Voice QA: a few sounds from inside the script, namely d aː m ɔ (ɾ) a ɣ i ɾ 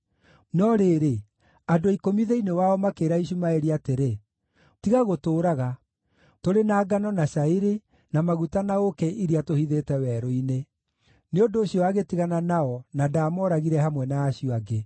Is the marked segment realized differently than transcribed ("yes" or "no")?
no